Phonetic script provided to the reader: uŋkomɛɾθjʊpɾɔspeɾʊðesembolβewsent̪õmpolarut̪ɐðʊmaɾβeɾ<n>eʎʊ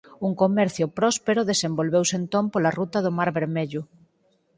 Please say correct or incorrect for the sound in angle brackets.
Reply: incorrect